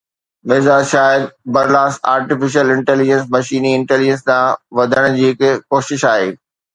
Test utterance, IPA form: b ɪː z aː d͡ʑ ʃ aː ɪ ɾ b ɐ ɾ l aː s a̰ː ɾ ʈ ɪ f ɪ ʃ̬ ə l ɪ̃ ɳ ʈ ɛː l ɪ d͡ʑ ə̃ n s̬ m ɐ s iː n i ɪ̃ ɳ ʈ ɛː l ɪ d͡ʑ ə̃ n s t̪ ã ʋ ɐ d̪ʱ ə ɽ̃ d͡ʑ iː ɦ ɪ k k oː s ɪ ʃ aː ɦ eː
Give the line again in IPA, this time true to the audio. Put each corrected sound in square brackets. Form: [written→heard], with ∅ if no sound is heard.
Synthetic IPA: [b→m] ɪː z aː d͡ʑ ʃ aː ɪ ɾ b ɐ ɾ l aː s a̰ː ɾ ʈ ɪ f ɪ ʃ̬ ə l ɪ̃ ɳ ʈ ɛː l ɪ d͡ʑ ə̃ n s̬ m ɐ [s→ʃ] iː n i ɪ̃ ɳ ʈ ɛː l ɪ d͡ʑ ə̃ n s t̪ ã ʋ ɐ d̪ʱ ə ɽ̃ d͡ʑ iː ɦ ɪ k k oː [s→ʃ] ɪ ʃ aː ɦ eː